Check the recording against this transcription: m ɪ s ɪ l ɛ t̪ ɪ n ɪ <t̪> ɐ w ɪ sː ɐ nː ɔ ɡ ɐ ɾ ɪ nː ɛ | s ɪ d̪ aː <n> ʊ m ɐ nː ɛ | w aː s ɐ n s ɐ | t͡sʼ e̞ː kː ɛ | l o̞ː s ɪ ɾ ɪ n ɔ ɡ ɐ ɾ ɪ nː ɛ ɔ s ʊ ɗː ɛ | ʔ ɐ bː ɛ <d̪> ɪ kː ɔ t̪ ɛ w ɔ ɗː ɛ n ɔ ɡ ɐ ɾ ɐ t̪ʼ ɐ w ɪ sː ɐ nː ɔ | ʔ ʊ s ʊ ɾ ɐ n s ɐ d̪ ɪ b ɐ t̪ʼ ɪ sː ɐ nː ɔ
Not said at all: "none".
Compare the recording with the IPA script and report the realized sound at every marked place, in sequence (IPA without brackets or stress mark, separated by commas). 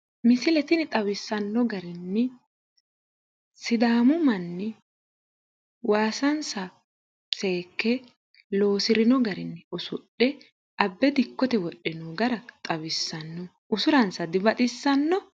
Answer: t̪ʼ, m, d̪